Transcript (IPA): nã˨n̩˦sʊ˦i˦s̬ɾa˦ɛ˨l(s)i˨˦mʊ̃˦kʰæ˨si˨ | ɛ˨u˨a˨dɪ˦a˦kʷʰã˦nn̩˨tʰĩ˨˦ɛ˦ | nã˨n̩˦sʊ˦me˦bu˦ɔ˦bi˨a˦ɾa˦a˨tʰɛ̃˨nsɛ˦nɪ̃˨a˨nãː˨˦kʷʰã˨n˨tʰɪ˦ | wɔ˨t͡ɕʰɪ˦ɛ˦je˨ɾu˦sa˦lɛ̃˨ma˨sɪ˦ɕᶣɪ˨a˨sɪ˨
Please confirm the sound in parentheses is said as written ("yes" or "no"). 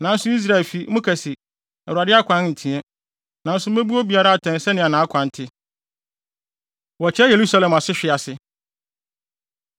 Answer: no